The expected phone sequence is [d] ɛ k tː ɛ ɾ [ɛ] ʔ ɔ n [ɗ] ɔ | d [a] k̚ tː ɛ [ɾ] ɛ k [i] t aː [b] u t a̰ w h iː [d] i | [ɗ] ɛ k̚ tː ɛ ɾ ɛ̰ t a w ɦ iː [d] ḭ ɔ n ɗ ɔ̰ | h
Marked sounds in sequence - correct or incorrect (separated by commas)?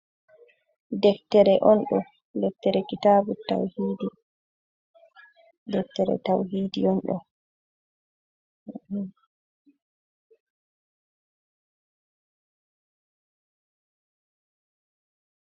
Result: correct, correct, correct, incorrect, correct, correct, correct, correct, incorrect, correct